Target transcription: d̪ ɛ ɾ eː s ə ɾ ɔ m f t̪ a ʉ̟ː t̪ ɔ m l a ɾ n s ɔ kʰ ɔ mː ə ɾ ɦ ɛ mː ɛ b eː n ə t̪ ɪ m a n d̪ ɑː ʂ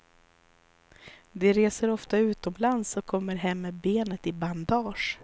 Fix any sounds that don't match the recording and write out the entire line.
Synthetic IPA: d̪ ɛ ɾ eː s ə ɾ ɔ f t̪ a ʉ̟ː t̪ ɔ m l a n s ɔ kʰ ɔ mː ə ɾ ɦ ɛ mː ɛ b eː n ə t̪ ɪ b a n d̪ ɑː ʂ